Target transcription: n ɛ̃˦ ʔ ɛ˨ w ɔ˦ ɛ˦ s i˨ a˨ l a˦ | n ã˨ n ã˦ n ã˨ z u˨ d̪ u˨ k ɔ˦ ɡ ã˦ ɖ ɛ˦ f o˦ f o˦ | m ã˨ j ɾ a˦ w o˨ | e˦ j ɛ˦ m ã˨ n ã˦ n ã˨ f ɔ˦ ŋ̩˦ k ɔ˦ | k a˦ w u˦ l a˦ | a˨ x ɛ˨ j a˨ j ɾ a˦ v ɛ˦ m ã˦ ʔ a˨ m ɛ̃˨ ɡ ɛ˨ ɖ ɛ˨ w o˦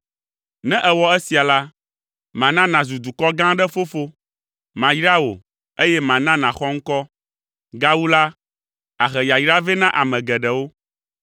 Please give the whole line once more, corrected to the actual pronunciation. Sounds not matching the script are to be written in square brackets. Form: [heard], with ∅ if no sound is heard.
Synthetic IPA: n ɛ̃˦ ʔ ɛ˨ w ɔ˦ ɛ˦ s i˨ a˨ l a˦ | [m] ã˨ n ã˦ n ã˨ z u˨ d̪ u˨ k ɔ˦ ɡ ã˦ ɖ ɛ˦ f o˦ f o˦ | m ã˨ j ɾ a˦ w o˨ | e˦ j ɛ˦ m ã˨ n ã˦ n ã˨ [x] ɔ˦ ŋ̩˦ k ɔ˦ | [ɡ] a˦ w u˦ l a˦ | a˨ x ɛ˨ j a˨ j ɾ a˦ v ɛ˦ [n] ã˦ ʔ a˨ m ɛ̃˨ ɡ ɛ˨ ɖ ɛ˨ w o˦